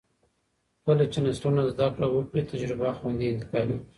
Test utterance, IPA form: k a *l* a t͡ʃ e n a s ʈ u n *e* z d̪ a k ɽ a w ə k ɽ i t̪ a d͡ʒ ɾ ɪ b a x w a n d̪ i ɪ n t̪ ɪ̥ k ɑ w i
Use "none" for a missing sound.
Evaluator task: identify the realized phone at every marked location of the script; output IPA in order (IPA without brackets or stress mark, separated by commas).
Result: l, a